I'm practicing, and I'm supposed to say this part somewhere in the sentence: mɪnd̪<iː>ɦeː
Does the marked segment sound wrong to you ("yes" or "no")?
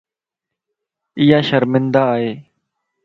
yes